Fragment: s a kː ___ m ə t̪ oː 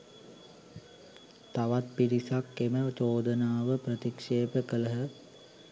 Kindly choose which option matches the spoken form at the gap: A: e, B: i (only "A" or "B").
A